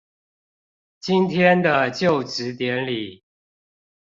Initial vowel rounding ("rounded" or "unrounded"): unrounded